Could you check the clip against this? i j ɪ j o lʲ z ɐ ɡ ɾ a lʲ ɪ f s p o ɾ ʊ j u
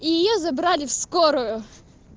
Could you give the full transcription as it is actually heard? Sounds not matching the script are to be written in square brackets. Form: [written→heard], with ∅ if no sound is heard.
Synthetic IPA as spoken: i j ɪ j o [lʲ→∅] z ɐ [ɡ→b] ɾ a lʲ ɪ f s [p→k] o ɾ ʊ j [u→ʊ]